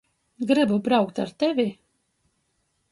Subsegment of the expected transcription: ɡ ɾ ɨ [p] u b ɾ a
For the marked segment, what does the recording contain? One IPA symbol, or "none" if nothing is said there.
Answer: b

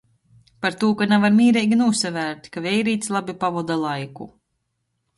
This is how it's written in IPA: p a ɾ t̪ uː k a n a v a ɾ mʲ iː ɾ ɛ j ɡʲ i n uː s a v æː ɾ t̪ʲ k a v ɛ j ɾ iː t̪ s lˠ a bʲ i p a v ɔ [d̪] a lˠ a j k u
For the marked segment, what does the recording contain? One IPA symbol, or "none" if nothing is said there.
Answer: d̪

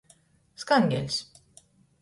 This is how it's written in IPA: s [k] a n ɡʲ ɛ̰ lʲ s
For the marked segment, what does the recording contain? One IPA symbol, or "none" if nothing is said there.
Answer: k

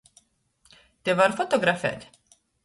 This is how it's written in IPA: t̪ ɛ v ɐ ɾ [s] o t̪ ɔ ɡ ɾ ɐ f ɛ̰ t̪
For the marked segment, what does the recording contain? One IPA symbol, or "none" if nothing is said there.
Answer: f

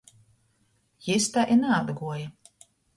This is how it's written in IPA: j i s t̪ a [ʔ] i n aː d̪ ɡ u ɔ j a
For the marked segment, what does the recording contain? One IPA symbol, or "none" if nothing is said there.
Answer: ʔ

